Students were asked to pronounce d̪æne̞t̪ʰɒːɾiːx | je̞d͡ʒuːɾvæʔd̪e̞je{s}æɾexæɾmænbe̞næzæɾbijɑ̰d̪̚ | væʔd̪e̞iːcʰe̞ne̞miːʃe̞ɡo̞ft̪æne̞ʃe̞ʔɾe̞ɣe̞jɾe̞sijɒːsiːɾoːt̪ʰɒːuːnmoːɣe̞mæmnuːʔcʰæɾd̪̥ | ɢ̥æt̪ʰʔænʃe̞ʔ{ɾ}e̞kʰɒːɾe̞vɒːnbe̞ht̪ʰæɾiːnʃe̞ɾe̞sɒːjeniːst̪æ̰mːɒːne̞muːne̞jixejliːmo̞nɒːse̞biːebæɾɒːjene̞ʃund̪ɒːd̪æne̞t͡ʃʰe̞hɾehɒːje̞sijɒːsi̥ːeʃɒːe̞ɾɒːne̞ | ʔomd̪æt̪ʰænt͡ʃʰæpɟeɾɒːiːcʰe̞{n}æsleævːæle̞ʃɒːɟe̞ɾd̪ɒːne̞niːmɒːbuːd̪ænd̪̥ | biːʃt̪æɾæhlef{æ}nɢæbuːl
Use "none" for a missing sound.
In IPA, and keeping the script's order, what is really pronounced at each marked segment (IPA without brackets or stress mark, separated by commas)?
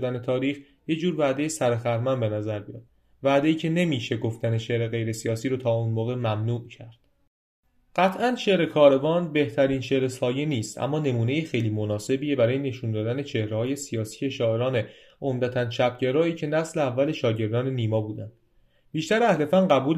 s, ɾ, n, æ